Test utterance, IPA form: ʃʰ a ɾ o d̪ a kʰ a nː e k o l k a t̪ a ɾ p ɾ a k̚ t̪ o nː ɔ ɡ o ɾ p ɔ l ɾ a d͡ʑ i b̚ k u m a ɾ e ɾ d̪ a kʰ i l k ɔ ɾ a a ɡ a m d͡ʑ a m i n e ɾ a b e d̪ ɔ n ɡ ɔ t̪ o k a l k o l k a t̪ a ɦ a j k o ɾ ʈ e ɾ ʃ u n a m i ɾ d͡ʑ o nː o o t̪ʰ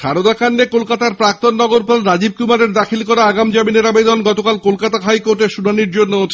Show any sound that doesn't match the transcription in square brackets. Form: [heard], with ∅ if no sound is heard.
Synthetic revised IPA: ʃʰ a ɾ o d̪ a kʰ a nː e k o l k a t̪ a ɾ p ɾ a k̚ t̪ o nː ɔ ɡ o ɾ p ɔ l ɾ a d͡ʑ i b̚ k u m a ɾ e ɾ d̪ a kʰ i l k ɔ ɾ a a ɡ a m d͡ʑ a m i n e ɾ a b e d̪ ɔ n ɡ ɔ t̪ o k a l k o l k a t̪ a ɦ a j k o ɾ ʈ e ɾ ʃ u n a [n] i ɾ d͡ʑ o nː o o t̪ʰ

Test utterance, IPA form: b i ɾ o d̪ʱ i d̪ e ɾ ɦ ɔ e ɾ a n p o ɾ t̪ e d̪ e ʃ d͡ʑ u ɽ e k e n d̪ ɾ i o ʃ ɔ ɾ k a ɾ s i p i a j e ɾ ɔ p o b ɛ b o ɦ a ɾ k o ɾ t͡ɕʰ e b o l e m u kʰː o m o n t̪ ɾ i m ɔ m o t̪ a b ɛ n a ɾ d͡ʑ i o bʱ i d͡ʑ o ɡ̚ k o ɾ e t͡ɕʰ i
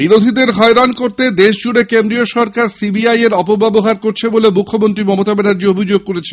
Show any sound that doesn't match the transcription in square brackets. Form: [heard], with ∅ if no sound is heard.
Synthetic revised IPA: b i ɾ o d̪ʱ i d̪ e ɾ ɦ ɔ e ɾ a n [k] o ɾ t̪ e d̪ e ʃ d͡ʑ u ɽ e k e n d̪ ɾ i o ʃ ɔ ɾ k a ɾ s i [b] i a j e ɾ ɔ p o b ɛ b o ɦ a ɾ k o ɾ t͡ɕʰ e b o l e m u kʰː o m o n t̪ ɾ i m ɔ m o t̪ a b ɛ n a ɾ d͡ʑ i o bʱ i d͡ʑ o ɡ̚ k o ɾ e t͡ɕʰ [e]

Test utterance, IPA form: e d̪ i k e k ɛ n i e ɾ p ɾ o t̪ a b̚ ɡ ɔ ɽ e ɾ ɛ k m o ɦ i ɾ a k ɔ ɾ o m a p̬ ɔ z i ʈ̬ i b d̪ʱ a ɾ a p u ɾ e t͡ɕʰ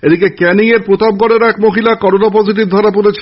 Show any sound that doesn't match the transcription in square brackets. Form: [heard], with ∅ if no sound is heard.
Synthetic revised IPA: e d̪ i k e k ɛ n i e ɾ p ɾ o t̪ a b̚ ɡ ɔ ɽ e ɾ ɛ k m o ɦ i [l] a k ɔ ɾ o [n] a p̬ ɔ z i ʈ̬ i b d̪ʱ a ɾ a p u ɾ e t͡ɕʰ

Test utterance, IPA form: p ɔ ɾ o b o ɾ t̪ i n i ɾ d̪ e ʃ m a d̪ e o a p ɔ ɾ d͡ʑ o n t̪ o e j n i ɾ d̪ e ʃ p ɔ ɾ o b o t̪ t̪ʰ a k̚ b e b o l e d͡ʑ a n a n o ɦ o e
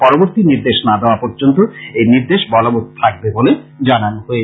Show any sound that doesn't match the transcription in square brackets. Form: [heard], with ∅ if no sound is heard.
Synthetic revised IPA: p ɔ ɾ o b o ɾ t̪ i n i ɾ d̪ e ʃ [n] a d̪ e o a p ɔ ɾ d͡ʑ o n t̪ o e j n i ɾ d̪ e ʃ [b] ɔ [l] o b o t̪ t̪ʰ a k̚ b e b o l e d͡ʑ a n a n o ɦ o e

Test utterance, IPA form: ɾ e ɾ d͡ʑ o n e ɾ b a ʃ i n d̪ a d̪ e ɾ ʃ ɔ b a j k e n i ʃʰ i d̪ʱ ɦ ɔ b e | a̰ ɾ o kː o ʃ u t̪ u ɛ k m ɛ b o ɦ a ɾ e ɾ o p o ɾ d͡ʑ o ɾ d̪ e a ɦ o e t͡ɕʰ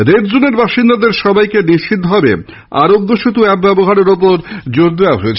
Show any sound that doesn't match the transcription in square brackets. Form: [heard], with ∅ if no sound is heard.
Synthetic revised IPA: ɾ e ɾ d͡ʑ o n e ɾ b a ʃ i n d̪ a d̪ e ɾ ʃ ɔ b a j k e n i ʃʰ i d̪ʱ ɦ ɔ b e | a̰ ɾ o [ɡː] o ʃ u t̪ u ɛ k [b] ɛ b o ɦ a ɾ e ɾ o p o ɾ d͡ʑ o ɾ d̪ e a ɦ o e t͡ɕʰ

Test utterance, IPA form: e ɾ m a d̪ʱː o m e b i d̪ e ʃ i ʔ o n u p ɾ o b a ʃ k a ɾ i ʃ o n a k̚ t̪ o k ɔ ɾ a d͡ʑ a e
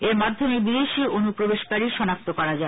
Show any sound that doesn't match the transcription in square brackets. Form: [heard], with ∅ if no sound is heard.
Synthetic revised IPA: e ɾ m a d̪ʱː o m e b i d̪ e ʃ i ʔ o n u p ɾ o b [e] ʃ k a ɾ i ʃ [ɔ] n a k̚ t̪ o k ɔ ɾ a d͡ʑ a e

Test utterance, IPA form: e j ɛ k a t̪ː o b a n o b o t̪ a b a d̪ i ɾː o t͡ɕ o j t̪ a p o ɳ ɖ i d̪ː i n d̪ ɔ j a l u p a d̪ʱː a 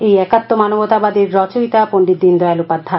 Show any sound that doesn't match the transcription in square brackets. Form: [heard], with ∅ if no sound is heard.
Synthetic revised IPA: e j ɛ k a t̪ː o [m] a n o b o t̪ a b a d̪ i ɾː [ɔ] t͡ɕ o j t̪ a p o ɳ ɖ i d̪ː i n d̪ ɔ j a l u p a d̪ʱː a

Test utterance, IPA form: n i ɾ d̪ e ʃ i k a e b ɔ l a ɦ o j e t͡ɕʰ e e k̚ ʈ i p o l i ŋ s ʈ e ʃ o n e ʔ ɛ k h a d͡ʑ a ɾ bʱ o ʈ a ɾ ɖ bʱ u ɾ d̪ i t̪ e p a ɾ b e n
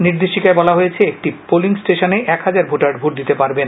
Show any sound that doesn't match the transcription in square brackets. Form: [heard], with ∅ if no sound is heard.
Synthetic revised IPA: n i ɾ d̪ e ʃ i k a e b ɔ l a ɦ o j e t͡ɕʰ e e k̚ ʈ i p o l i ŋ s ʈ e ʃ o n e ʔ ɛ k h a d͡ʑ a ɾ bʱ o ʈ a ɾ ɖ bʱ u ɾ d̪ i t̪ e p a ɾ b e n

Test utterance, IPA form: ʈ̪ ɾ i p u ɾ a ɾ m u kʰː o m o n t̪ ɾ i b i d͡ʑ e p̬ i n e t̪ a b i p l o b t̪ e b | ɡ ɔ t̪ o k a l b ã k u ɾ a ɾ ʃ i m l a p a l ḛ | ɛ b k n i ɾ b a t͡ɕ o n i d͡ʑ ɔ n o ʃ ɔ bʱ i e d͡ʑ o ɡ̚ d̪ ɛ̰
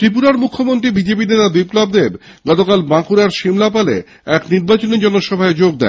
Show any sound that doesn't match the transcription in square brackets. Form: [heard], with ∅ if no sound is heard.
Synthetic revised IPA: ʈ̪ ɾ i p u ɾ a ɾ m u kʰː o m o n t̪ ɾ i b i d͡ʑ e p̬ i n e t̪ a b i p l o b [d̪] e b | ɡ ɔ t̪ o k a l b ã k u ɾ a ɾ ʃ i m l a p a l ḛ | ɛ [∅] k n i ɾ b a t͡ɕ o n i d͡ʑ ɔ n o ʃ ɔ bʱ [a] e d͡ʑ o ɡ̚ d̪ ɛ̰

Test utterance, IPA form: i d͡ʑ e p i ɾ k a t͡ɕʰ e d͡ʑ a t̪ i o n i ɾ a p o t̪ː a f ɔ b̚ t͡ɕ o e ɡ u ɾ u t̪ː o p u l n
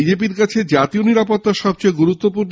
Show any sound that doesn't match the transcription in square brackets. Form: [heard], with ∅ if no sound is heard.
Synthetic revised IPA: i d͡ʑ e p i ɾ k a t͡ɕʰ e d͡ʑ a t̪ i o n i ɾ a p o t̪ː a [ʃ] ɔ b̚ t͡ɕ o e ɡ u ɾ u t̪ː o p u [ɾ] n

